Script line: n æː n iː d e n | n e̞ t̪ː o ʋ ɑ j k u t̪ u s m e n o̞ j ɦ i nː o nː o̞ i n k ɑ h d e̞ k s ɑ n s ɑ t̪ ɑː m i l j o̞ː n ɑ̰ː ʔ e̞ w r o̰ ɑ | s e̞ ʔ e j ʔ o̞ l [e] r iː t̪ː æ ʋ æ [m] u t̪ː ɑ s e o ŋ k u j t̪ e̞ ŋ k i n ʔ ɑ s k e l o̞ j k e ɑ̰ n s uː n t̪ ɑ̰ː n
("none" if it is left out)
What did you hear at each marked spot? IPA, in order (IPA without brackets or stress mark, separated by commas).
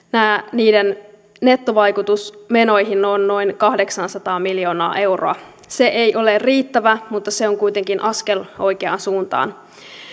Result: e, m